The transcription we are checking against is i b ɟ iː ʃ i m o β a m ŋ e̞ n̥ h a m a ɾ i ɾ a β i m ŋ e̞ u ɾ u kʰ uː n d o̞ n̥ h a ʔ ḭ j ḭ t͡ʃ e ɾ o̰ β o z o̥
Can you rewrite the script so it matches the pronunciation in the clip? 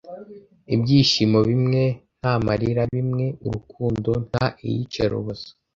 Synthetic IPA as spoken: i b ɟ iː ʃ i m o β i m ŋ e̞ n̥ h a m a ɾ i ɾ a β i m ŋ e̞ u ɾ u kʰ uː n d o̞ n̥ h a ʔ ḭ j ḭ t͡ʃ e ɾ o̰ β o z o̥